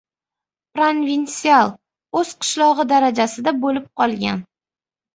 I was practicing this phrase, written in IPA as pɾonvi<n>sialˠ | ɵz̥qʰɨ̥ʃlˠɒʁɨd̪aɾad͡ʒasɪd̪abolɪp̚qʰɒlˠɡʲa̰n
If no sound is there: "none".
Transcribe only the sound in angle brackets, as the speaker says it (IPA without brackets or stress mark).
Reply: n